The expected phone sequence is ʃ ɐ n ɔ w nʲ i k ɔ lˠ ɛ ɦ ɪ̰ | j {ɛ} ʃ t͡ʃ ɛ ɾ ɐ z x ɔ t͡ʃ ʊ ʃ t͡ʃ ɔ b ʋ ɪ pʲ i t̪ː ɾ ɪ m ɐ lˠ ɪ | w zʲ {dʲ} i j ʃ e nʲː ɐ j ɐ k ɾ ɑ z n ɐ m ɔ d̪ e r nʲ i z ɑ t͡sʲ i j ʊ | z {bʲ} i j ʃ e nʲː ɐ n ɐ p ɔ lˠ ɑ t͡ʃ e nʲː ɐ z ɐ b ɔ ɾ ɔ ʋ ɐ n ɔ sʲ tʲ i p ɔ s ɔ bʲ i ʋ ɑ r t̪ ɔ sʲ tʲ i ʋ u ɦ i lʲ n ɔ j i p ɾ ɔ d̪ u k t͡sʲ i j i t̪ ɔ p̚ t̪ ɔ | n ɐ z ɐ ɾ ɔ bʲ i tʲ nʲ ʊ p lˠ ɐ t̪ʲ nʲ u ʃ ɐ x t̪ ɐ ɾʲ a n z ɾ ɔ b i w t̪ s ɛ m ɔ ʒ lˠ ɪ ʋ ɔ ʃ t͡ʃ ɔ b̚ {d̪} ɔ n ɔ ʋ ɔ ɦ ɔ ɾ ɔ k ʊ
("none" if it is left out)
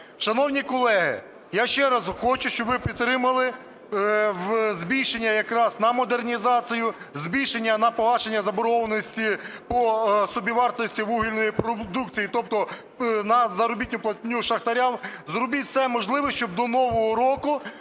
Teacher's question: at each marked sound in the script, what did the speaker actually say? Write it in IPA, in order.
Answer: a, bʲ, bʲ, d̪

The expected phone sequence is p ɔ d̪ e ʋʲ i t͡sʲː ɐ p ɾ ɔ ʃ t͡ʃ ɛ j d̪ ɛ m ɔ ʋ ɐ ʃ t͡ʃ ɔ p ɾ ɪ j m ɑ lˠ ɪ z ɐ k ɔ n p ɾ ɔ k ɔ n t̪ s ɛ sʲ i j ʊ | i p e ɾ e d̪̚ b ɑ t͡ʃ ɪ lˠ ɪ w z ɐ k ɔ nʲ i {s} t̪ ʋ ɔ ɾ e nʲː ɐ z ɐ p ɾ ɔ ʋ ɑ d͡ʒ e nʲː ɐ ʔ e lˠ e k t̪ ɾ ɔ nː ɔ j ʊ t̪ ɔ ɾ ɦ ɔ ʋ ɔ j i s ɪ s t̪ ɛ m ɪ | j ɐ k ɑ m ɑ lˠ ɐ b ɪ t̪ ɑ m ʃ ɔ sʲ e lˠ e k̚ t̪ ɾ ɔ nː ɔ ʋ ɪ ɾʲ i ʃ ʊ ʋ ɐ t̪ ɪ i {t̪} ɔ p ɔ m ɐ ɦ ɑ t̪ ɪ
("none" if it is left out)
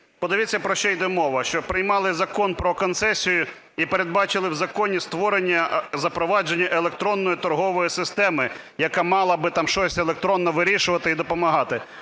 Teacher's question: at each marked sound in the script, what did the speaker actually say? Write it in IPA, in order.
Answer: s, d̪

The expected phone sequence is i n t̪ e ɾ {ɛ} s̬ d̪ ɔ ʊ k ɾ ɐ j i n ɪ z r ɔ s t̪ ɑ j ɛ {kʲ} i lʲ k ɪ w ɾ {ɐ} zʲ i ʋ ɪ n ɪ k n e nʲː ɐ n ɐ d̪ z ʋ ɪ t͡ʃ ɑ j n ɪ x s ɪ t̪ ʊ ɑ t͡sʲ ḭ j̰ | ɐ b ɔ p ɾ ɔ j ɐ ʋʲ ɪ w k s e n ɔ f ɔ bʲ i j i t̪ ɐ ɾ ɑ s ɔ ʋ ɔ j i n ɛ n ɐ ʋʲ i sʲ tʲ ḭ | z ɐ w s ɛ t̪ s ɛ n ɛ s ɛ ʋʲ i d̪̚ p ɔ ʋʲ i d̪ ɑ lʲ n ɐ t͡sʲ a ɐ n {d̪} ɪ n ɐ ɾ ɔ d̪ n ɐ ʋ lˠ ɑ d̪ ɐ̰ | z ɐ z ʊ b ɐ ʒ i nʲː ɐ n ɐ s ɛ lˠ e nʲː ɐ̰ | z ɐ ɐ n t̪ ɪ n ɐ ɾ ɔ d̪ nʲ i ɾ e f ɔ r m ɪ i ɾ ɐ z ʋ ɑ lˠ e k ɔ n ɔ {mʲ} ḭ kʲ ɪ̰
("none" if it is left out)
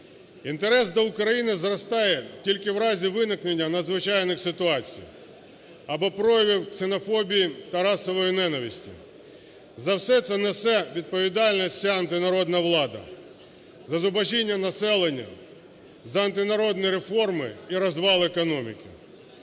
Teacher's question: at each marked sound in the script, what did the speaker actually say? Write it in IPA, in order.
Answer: ɛ, tʲ, ɑ, t̪, mʲ

